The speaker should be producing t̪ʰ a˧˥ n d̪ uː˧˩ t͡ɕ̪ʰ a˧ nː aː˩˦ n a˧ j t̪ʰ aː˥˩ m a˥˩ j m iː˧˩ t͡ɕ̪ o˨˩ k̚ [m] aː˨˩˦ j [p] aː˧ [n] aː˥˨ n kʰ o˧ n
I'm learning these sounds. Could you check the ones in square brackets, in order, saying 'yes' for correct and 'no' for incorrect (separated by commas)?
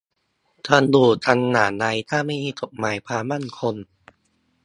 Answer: yes, no, no